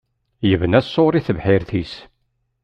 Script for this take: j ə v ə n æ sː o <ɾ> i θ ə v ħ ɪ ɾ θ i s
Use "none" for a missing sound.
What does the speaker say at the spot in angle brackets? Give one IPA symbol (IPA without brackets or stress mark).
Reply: ɾ